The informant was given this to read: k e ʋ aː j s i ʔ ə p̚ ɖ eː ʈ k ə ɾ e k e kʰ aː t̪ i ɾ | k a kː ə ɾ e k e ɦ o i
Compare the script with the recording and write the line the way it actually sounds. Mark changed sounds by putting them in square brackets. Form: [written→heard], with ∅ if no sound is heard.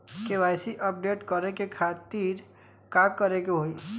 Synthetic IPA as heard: k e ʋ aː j s i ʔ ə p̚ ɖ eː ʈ k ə ɾ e k e kʰ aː t̪ i ɾ | k a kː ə ɾ e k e ɦ o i